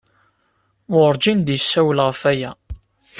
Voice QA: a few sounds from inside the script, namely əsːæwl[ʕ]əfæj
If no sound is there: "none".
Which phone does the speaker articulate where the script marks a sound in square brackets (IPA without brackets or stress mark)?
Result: ʁ